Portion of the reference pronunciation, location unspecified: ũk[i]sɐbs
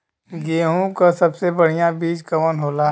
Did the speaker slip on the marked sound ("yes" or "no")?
yes